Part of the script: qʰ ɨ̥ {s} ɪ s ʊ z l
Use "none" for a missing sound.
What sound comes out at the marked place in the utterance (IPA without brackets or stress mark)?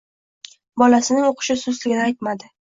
ʃ